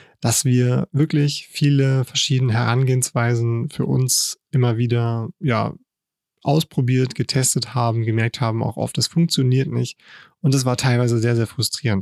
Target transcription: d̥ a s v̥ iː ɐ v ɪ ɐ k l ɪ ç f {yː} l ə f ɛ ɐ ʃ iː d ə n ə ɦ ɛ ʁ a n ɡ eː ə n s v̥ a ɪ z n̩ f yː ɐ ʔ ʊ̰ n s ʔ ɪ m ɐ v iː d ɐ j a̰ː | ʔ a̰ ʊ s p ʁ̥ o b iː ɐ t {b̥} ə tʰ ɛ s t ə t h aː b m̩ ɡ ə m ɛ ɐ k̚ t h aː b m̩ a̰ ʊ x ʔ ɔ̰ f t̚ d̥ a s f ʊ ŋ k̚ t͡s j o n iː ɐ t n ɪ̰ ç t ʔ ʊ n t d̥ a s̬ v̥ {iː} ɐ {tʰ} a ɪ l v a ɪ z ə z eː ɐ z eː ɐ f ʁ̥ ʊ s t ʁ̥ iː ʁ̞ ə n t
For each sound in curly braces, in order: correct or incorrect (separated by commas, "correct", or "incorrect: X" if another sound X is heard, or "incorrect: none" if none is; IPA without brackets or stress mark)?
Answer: incorrect: iː, incorrect: ɡ̥, incorrect: aː, correct